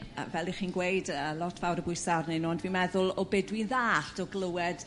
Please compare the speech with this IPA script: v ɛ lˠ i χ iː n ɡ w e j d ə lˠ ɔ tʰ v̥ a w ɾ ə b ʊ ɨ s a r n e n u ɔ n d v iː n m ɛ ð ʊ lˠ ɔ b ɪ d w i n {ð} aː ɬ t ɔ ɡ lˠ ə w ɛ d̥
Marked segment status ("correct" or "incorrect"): correct